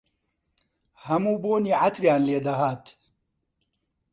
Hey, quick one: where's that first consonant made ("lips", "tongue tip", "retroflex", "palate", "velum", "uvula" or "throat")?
throat